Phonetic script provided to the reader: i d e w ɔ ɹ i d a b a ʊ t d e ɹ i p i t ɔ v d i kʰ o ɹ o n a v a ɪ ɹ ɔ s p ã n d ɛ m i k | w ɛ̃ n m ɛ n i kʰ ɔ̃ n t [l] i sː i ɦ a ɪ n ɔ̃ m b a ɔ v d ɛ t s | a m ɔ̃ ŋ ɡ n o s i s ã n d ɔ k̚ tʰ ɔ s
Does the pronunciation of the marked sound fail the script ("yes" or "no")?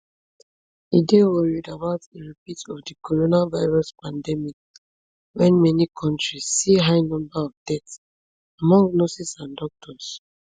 yes